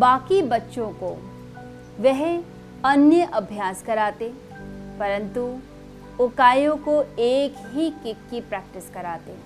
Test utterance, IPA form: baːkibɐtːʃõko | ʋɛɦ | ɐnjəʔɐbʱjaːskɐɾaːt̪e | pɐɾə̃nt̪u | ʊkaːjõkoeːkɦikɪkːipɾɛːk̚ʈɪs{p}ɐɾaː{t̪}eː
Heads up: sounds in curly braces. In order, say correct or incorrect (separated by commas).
incorrect, correct